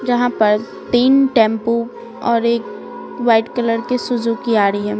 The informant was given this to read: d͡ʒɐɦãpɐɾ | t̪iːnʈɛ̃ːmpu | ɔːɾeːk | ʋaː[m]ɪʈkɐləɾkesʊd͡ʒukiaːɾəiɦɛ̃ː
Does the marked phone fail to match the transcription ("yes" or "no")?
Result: yes